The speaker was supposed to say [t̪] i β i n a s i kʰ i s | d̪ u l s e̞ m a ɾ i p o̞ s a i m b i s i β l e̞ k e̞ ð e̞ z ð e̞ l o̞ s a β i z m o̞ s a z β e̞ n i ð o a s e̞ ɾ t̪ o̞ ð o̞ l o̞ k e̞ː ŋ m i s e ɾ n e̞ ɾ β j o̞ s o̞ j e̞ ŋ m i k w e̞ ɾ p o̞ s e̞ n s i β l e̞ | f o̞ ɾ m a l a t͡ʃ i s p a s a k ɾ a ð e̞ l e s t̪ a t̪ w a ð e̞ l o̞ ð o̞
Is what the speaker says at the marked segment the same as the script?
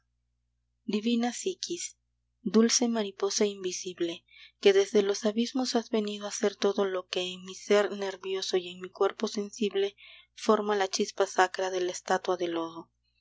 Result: no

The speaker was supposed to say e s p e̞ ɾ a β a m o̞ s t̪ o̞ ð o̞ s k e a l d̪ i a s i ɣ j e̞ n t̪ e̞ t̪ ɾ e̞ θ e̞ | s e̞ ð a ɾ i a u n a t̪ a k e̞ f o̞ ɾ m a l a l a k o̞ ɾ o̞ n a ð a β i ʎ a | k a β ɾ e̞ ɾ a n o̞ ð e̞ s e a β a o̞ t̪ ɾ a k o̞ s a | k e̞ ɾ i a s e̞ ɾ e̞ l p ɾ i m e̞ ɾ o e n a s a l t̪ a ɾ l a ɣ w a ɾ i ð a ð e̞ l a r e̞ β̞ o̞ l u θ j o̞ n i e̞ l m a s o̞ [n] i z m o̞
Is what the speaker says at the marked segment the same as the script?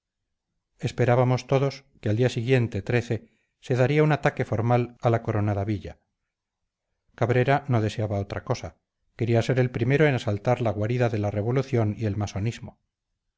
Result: yes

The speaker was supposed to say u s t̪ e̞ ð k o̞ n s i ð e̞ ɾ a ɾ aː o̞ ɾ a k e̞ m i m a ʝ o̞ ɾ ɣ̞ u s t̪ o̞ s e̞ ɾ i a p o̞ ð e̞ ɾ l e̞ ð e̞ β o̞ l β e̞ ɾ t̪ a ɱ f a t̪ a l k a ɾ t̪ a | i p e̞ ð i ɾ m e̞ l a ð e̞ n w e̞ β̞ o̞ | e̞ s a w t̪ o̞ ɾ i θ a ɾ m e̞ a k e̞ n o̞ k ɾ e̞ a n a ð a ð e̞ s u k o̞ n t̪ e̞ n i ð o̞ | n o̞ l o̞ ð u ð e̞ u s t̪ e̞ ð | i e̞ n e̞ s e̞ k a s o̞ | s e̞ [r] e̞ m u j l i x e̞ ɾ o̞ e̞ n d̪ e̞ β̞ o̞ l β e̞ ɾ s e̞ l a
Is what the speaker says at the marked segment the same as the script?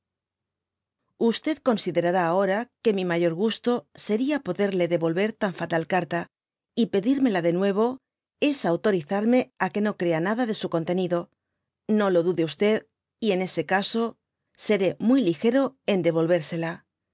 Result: no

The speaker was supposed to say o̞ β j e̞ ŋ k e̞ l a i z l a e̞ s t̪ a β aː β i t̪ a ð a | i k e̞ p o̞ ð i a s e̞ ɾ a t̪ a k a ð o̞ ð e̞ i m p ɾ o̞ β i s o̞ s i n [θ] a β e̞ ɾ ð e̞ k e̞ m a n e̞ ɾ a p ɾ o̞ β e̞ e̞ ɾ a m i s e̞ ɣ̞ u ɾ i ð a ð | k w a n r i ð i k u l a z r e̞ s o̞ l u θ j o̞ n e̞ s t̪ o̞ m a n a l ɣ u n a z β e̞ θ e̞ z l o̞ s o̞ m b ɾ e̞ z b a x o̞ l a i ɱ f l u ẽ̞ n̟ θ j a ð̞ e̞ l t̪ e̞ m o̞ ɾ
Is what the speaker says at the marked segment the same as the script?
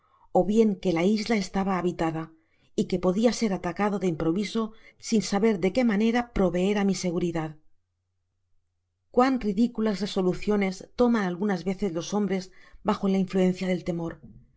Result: no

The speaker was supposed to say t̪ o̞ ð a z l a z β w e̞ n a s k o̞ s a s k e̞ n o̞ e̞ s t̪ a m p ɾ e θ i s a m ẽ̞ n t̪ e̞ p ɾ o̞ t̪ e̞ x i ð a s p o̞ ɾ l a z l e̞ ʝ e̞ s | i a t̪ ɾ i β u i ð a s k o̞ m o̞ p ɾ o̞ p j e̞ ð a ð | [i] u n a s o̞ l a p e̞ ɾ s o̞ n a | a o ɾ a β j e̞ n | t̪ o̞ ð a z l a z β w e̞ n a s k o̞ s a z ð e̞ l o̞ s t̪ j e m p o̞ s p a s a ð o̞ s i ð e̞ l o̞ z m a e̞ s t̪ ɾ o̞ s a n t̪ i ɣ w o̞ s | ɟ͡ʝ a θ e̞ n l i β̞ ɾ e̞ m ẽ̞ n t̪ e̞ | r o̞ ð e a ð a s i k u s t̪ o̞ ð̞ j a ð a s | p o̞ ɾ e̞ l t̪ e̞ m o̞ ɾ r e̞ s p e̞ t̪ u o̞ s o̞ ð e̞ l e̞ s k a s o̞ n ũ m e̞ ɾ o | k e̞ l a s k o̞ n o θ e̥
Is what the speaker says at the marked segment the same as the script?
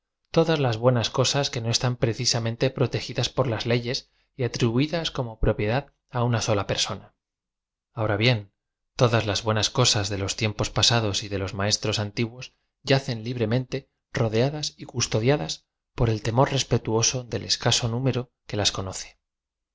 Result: no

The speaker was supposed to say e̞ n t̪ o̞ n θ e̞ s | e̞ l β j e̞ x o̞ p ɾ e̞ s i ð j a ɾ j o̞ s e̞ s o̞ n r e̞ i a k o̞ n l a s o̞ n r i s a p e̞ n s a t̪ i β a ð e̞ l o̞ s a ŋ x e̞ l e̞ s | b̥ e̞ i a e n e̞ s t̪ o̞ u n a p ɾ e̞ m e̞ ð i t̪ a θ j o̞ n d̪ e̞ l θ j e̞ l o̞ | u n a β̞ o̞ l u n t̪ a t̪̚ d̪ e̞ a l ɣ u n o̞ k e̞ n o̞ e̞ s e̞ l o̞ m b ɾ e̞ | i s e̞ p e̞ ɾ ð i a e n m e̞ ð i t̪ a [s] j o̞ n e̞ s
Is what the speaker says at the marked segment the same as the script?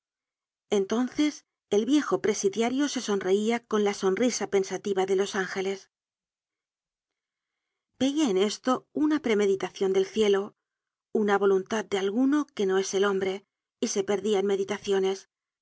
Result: no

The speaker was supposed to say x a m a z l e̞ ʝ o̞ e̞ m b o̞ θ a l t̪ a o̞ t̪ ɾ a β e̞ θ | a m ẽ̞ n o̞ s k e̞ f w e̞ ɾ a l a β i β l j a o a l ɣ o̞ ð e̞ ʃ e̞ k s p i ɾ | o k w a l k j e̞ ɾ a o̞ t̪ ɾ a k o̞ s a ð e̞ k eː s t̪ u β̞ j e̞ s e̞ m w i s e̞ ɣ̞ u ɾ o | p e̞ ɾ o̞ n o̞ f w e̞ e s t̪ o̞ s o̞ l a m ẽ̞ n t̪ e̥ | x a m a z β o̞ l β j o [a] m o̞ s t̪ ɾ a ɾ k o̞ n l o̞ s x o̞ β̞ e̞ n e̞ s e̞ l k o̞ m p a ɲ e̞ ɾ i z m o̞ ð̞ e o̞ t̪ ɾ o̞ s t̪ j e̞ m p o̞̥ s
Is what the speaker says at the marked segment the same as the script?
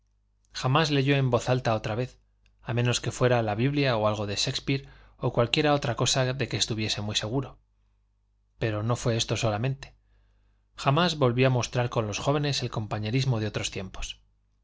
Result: yes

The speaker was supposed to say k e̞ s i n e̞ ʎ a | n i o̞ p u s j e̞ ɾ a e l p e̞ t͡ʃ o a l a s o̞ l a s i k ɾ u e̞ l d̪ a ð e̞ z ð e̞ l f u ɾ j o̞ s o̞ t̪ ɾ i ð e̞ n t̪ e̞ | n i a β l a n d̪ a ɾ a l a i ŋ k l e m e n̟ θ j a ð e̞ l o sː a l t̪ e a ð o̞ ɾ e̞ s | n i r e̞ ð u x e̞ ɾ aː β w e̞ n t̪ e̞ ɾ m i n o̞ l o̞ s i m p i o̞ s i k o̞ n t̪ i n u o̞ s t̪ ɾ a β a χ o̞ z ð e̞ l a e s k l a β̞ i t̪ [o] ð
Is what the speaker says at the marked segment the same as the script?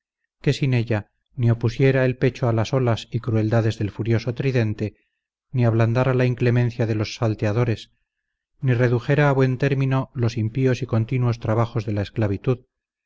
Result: no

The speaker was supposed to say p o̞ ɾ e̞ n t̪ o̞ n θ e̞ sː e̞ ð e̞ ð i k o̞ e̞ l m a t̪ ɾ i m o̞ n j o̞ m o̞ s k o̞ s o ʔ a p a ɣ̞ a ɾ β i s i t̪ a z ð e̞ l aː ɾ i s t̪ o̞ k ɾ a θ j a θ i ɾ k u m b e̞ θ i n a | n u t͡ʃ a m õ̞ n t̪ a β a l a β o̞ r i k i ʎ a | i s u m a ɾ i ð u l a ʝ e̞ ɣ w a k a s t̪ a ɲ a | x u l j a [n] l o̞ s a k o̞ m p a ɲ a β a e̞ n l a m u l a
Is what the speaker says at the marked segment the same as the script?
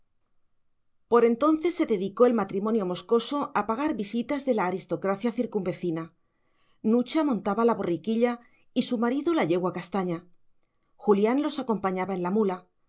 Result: yes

